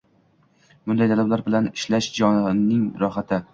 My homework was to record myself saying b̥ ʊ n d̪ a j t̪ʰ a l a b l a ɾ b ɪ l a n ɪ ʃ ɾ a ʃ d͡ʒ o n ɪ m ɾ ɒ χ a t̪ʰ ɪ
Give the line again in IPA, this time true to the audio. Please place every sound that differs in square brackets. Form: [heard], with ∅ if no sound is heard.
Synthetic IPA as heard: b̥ ʊ n d̪ a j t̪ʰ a l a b l a ɾ b ɪ l a n ɪ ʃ [l] a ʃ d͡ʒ [ɒ] n ɪ [ŋ] ɾ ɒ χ a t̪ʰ ɪ